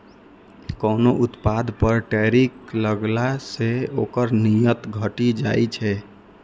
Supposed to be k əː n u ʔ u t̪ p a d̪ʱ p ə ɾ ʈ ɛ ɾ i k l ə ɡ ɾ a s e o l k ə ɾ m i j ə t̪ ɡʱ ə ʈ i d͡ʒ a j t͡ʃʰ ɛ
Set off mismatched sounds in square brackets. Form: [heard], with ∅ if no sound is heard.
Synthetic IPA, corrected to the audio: k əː n [o] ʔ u t̪ p a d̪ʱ p ə ɾ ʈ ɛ ɾ i k l ə ɡ [l] a s e o [∅] k ə ɾ [n] i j ə t̪ ɡʱ ə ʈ i d͡ʒ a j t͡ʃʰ ɛ